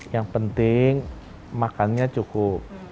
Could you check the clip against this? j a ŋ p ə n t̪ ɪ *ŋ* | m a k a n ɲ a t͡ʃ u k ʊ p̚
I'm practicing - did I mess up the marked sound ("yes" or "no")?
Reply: no